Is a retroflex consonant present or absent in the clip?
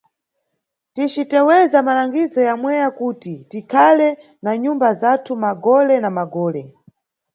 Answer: absent